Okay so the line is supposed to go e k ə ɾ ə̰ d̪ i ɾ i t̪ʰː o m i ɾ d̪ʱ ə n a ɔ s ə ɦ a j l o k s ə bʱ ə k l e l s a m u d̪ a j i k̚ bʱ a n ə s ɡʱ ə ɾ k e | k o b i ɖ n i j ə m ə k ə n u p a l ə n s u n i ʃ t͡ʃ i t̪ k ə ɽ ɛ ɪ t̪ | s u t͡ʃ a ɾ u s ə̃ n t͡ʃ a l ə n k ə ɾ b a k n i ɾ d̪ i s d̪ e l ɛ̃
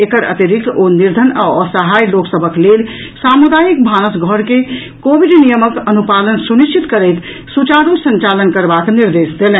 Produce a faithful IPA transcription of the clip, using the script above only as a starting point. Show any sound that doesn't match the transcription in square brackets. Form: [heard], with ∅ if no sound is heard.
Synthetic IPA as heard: e k ə ɾ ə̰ [t̪] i ɾ i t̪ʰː o [n] i ɾ d̪ʱ ə n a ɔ s ə ɦ a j l o k s ə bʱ ə k l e l s a m u d̪ a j i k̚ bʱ a n ə s ɡʱ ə ɾ k e | k o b i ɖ n i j ə m ə k ə n u p a l ə n s u n i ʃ t͡ʃ i t̪ k ə [ɾ] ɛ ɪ t̪ | s u t͡ʃ a ɾ u s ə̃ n t͡ʃ a l ə n k ə ɾ b a k n i ɾ d̪ [e] s d̪ e l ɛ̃